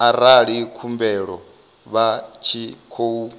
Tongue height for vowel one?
low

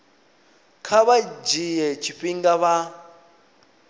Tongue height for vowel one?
low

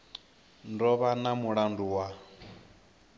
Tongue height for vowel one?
mid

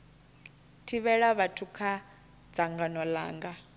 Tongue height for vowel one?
high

